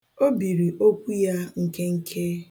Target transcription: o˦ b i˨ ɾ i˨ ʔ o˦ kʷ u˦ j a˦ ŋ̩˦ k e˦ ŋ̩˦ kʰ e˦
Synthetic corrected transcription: o˦ b i˨ ɾ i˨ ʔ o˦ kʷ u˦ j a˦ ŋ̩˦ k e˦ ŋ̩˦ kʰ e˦